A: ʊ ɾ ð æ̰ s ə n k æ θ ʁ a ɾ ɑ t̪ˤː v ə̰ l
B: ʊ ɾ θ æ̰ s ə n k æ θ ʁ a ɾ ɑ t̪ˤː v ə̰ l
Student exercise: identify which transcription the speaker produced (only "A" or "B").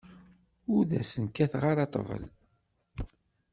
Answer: A